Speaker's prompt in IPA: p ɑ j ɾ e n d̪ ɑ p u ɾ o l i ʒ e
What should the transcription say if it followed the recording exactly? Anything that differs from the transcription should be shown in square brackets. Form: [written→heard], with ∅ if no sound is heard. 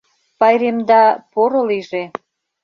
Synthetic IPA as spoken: p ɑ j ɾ e [n→m] d̪ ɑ p [u→o] ɾ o l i ʒ e